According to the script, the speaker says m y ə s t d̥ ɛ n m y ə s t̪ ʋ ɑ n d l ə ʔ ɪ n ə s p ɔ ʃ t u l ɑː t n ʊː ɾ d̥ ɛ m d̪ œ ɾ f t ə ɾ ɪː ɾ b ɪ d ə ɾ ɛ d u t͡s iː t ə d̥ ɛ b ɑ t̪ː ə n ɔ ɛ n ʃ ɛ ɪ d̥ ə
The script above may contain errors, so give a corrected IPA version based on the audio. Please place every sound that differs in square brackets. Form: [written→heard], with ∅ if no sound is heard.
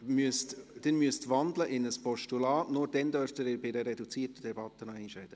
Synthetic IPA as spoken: m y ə s t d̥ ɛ n m y ə s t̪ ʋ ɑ n d l ə ʔ ɪ n ə s p ɔ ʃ t u l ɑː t n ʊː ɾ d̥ ɛ [m→n] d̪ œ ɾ f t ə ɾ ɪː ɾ b ɪ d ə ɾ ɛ d u t͡s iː t ə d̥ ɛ b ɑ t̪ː ə n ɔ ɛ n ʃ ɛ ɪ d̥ ə